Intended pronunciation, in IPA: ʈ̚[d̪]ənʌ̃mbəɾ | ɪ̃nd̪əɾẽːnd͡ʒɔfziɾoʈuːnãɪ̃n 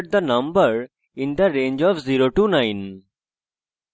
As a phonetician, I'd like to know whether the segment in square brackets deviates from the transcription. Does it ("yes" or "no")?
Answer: no